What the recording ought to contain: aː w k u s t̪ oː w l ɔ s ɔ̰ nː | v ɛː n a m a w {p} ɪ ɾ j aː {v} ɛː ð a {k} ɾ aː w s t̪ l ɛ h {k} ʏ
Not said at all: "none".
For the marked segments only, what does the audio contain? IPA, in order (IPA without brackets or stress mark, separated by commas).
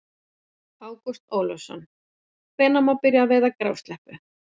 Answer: p, v, k, p